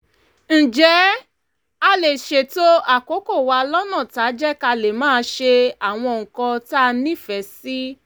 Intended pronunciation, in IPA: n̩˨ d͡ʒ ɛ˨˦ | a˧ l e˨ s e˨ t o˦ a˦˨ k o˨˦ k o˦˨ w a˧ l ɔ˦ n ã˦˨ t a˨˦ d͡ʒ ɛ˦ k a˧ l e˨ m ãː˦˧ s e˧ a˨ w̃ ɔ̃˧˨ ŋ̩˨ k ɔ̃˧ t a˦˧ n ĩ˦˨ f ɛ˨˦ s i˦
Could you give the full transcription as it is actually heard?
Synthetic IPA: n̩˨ d͡ʒ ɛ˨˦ | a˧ l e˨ ʃ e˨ t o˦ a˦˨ k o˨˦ k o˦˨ w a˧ l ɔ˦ n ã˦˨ t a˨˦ d͡ʒ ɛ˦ k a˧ l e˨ m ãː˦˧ ʃ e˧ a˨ w̃ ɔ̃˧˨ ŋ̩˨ k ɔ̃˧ t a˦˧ n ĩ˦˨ f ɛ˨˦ s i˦